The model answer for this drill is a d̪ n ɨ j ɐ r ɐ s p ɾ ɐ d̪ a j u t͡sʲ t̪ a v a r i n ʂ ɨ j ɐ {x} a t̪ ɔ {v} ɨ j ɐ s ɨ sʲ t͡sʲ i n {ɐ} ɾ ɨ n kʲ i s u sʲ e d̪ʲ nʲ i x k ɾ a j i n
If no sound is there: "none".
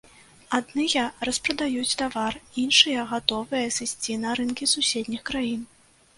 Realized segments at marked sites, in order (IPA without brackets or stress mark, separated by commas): ɣ, v, ɐ